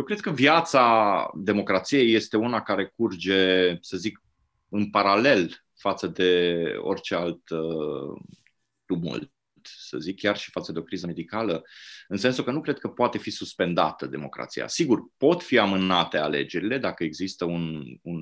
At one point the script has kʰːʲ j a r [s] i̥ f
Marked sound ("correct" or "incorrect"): incorrect